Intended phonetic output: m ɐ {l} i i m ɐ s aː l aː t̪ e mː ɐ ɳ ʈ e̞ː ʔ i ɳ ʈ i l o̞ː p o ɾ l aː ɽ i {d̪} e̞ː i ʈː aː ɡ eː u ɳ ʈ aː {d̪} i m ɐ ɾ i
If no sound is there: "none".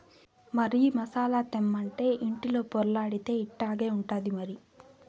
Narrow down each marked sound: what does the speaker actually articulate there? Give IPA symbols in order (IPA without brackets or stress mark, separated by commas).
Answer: ɾ, t̪, d̪